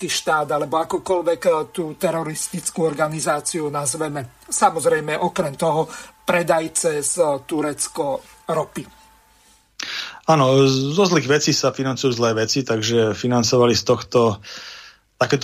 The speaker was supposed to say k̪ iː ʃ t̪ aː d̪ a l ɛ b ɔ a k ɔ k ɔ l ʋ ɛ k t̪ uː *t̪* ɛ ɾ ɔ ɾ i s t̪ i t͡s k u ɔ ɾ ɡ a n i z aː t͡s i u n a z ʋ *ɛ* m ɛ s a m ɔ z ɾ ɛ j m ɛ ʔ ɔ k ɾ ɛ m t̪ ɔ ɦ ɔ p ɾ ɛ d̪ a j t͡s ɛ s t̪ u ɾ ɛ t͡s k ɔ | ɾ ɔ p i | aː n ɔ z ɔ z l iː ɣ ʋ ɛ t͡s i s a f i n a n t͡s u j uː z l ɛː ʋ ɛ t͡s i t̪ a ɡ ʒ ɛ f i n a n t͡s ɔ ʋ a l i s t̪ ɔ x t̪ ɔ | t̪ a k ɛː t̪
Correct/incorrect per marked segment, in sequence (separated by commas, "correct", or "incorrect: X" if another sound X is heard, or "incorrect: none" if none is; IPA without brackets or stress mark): correct, correct